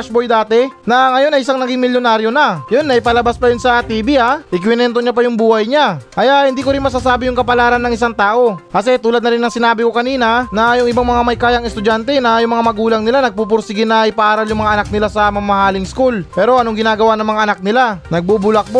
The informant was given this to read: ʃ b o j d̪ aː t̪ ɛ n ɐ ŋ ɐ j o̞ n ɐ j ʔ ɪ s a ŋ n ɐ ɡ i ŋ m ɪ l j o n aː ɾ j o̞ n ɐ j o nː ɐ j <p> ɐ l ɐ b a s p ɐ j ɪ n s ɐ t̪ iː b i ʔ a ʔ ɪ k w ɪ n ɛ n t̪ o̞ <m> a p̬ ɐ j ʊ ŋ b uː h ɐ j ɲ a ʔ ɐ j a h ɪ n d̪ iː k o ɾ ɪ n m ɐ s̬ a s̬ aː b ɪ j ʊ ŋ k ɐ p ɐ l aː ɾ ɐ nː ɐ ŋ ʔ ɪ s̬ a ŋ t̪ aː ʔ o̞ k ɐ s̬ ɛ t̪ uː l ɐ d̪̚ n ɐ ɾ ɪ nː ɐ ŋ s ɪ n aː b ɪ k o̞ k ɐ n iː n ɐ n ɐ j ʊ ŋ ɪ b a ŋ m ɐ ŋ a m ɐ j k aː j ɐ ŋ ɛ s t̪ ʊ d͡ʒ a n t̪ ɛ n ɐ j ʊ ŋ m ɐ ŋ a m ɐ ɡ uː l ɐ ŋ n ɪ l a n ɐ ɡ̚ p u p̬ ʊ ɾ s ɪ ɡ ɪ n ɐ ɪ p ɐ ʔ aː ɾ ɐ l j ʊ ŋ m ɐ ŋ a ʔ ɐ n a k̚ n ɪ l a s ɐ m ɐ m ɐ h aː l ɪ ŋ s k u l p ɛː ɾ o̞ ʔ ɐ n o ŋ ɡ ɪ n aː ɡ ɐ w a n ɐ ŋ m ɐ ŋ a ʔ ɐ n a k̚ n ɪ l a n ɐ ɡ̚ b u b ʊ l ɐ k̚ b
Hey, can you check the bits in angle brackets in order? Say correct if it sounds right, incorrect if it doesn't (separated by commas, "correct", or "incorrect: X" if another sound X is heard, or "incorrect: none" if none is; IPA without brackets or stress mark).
correct, incorrect: ɲ